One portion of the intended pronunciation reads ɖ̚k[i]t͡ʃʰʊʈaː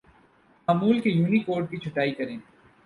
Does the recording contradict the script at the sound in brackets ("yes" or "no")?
no